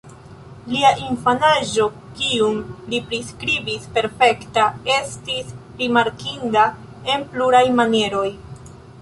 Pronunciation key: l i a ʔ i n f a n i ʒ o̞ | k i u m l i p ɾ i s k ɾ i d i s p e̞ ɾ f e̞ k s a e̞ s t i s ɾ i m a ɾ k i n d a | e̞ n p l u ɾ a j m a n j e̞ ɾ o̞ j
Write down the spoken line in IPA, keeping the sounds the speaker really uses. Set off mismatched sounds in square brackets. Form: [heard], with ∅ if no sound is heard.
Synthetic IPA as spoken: l i a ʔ i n f a n [a] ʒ o̞ | k i u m l i p ɾ i s k ɾ i [b] i s p e̞ ɾ f e̞ k [t] a e̞ s t i s ɾ i m a ɾ k i n d a | e̞ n p l u ɾ a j m a n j e̞ ɾ o̞ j

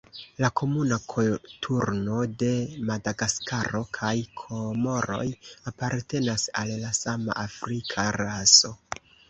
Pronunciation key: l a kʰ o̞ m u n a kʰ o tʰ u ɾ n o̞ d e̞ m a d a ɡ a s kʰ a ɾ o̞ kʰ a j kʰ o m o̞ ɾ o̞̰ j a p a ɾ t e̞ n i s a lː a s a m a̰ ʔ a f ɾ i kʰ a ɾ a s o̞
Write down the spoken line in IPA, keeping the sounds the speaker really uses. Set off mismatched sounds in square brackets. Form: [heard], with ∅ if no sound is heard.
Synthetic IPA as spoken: l a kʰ o̞ m u n a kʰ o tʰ u ɾ n o̞ d e̞ m a d a ɡ a s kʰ a ɾ o̞ kʰ a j kʰ o m o̞ ɾ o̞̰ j a p a ɾ t e̞ n [a] s a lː a s a m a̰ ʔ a f ɾ i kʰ a ɾ a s o̞

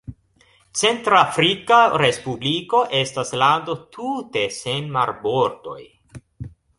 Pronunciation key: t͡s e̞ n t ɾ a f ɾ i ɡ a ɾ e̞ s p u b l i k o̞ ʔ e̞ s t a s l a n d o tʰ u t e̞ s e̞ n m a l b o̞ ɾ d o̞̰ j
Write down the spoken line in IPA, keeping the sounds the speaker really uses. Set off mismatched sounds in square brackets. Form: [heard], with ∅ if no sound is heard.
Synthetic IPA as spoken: t͡s e̞ n t ɾ a f ɾ i [k] a ɾ e̞ s p u b l i k o̞ ʔ e̞ s t a s l a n d o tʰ u t e̞ s e̞ n m a [ɾ] b o̞ ɾ d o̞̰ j

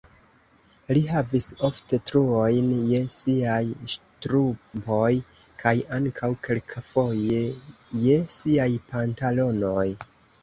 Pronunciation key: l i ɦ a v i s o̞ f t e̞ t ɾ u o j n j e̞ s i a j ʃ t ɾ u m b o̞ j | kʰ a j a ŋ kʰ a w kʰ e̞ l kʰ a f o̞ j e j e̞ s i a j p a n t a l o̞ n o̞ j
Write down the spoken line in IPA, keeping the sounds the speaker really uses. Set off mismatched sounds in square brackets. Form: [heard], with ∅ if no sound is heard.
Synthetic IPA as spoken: l i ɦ a v i s o̞ f t e̞ t ɾ u o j n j e̞ s i a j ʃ t ɾ u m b o̞ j | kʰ a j a ŋ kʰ a w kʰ e̞ l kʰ a f o̞ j e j e̞ s i a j p a n t a l o̞ n o̞ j

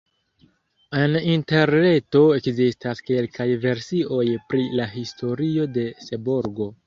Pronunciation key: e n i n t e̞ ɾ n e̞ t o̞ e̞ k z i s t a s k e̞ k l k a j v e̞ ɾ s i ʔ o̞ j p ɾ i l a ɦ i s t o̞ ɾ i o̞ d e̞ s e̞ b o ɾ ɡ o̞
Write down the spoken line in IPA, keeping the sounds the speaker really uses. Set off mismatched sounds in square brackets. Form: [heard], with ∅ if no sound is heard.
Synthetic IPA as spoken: e n i n t e̞ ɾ n e̞ t o̞ e̞ k z i s t a s k e̞ [∅] l k a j v e̞ ɾ s i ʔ o̞ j p ɾ i l a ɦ i s t o̞ ɾ i o̞ d e̞ s e̞ b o ɾ ɡ o̞

